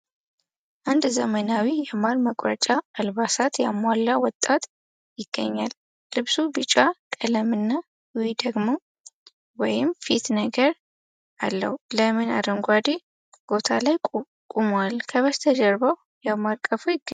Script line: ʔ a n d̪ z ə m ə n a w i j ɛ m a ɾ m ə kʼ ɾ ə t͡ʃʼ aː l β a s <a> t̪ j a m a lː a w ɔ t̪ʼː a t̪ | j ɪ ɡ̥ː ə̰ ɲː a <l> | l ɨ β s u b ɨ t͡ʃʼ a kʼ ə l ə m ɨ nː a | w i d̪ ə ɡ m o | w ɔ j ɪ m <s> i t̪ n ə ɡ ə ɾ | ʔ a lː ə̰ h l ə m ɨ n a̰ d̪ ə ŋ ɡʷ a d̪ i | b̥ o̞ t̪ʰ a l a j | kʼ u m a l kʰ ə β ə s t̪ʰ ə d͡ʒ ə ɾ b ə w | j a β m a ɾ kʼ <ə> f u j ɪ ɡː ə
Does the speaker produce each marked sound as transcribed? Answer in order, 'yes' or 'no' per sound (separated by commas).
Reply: yes, yes, no, yes